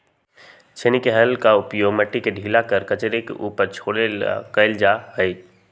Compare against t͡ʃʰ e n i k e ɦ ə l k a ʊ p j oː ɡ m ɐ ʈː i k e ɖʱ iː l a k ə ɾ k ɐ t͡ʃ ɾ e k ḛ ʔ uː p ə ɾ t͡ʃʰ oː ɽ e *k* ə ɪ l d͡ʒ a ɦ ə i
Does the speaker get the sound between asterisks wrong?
no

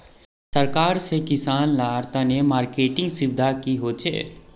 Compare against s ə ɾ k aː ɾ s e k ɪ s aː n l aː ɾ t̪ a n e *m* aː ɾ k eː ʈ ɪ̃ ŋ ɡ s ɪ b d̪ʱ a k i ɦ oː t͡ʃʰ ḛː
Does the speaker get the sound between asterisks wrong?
no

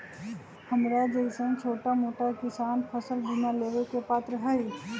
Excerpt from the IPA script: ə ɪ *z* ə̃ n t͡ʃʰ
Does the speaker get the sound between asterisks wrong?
yes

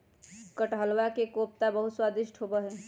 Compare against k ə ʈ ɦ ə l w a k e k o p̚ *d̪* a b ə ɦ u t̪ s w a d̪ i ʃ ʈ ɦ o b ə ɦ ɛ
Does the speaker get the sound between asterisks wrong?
yes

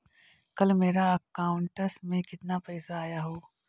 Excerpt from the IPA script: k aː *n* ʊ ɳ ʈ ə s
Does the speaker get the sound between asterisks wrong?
yes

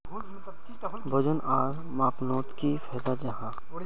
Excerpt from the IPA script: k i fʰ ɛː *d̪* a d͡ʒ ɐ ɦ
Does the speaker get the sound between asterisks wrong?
no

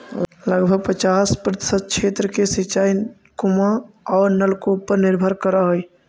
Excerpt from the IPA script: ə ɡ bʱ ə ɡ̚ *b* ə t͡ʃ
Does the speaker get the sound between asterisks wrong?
yes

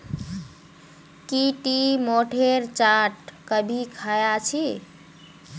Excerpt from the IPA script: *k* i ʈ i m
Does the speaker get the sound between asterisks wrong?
no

